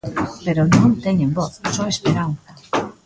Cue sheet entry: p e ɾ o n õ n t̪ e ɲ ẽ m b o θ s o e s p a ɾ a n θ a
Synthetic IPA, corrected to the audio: p e ɾ o n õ n t̪ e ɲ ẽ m b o θ s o e s p e ɾ a n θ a